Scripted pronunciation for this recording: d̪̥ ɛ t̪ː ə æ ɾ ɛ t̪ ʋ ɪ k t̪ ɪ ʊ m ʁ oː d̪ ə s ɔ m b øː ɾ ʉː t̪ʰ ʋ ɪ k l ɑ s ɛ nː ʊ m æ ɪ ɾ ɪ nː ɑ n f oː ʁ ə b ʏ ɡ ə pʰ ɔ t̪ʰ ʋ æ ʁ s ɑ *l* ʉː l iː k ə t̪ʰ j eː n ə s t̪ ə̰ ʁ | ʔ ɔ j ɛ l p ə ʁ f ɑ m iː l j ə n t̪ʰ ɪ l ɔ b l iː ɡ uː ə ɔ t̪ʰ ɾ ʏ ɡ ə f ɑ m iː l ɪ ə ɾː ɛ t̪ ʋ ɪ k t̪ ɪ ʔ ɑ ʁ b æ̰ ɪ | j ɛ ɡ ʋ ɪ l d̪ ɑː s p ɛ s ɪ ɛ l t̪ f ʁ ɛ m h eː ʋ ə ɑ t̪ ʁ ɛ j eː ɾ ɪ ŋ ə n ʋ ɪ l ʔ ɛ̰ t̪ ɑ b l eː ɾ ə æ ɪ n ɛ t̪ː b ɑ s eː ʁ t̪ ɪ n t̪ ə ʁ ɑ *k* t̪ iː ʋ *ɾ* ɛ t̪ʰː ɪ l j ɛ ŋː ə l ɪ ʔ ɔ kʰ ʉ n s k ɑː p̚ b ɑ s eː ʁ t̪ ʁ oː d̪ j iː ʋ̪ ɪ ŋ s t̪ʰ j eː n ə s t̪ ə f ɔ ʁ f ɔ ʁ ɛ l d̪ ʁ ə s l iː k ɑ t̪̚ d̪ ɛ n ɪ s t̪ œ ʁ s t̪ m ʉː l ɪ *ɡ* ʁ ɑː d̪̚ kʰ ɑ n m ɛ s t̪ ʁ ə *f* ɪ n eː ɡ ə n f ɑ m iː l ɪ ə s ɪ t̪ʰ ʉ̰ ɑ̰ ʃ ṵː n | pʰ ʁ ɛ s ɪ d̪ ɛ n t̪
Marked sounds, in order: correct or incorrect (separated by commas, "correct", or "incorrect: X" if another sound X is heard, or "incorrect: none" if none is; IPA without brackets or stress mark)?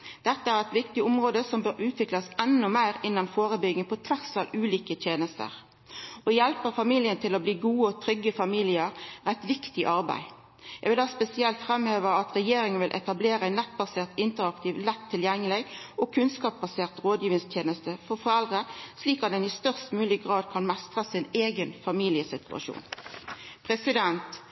correct, correct, incorrect: l, correct, incorrect: s